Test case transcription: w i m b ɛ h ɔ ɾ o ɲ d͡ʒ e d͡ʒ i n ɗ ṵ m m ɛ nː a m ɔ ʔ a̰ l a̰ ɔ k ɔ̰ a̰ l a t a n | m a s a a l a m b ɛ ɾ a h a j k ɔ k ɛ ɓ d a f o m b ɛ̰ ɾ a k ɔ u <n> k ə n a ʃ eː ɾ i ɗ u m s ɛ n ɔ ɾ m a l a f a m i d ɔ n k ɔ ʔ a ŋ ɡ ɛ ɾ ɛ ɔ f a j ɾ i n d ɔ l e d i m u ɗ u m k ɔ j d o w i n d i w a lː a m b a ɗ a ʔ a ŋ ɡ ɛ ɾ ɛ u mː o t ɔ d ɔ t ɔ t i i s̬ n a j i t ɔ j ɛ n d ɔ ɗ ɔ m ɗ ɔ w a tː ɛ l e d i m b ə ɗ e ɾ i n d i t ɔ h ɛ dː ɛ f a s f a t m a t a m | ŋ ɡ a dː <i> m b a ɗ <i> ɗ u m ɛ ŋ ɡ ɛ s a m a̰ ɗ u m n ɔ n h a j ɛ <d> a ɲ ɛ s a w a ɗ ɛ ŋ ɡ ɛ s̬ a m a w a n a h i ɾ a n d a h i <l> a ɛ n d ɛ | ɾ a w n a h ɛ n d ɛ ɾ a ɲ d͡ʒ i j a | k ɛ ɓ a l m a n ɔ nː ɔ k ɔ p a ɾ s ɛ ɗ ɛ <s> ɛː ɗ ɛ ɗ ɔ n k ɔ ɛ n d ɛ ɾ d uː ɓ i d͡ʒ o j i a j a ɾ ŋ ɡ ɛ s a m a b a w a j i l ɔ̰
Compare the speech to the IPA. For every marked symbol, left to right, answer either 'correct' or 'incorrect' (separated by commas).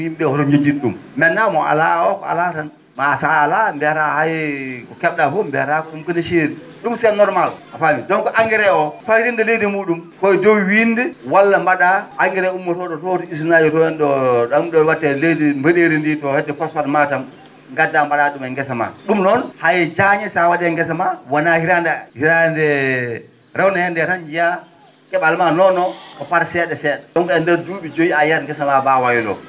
incorrect, incorrect, incorrect, incorrect, incorrect, correct